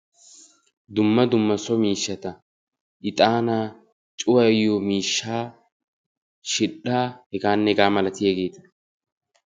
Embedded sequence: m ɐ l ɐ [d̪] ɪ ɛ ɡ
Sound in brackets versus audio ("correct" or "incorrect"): incorrect